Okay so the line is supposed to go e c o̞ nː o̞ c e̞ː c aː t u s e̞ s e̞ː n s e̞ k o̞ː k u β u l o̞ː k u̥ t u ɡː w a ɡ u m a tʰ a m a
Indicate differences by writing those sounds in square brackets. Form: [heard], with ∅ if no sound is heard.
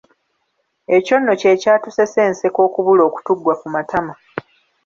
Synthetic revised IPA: e c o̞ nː o̞ c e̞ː c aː t u s e̞ s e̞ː n s e̞ k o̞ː k u β u l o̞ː k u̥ t u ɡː w a [k] u m a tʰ a m a